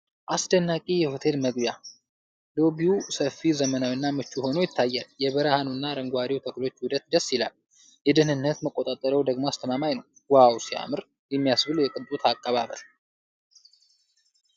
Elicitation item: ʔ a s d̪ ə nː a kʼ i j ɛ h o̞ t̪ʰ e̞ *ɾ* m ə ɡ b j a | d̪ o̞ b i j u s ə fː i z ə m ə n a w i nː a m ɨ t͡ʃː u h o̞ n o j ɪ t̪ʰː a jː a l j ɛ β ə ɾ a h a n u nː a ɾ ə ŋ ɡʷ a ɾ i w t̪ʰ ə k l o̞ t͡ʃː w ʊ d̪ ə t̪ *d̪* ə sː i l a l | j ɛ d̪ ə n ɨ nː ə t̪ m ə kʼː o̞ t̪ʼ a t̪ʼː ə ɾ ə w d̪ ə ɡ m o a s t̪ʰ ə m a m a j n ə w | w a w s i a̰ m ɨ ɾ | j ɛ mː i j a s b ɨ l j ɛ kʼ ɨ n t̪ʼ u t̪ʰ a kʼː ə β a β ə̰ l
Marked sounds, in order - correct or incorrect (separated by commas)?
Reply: incorrect, correct